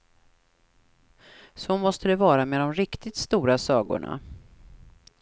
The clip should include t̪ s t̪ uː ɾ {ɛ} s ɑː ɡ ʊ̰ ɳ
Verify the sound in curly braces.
incorrect: a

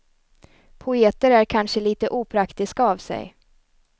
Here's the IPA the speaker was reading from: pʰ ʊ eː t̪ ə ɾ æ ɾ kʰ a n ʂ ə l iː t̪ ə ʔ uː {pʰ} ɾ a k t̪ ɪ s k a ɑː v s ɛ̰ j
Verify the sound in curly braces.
correct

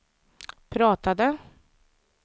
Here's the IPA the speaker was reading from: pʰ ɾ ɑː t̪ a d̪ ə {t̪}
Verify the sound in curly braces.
incorrect: none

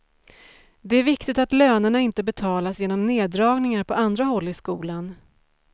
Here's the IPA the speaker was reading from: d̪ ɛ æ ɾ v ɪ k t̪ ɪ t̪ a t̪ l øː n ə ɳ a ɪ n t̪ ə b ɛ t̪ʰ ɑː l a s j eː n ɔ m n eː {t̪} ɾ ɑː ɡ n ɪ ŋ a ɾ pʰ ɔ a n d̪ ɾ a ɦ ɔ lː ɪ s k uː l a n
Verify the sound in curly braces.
incorrect: d̪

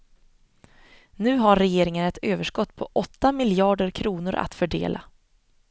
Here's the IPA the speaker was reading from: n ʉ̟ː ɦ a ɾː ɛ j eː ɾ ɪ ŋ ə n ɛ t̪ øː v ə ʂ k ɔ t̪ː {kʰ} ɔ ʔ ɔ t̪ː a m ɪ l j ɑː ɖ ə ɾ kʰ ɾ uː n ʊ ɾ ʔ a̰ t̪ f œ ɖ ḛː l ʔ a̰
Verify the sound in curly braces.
incorrect: pʰ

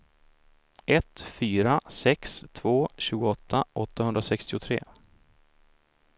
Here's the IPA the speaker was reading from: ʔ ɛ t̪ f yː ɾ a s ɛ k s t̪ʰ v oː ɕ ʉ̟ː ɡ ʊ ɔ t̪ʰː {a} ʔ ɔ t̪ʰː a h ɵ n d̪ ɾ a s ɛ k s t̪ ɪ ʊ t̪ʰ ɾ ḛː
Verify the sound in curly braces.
correct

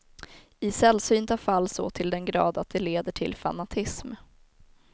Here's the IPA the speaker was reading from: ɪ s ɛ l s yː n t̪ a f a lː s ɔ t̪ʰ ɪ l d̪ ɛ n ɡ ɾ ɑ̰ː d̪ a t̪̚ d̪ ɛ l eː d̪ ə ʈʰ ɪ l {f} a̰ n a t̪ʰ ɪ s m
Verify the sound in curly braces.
correct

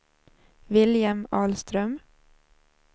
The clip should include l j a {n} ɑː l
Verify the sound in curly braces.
incorrect: m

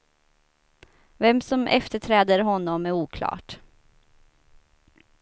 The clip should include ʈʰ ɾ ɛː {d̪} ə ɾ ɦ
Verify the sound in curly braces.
correct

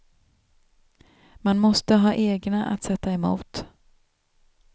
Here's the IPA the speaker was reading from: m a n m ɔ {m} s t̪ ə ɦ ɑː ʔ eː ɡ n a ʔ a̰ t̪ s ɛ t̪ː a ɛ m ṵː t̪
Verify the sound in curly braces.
incorrect: none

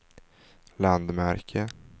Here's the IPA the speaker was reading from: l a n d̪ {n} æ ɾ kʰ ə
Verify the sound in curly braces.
incorrect: m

